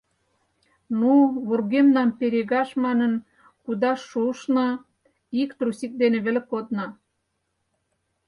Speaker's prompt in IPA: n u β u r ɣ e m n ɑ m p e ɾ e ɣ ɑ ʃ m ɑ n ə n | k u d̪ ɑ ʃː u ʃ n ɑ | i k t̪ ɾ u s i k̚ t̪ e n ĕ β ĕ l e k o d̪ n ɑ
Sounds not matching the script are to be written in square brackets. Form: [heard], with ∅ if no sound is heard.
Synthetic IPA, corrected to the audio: n u β u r ɣ e m n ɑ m p e ɾ e ɣ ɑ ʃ m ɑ n ə n | k u d̪ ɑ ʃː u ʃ n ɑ | i k t̪ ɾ u s i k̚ [d̪] e n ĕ β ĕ l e k o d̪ n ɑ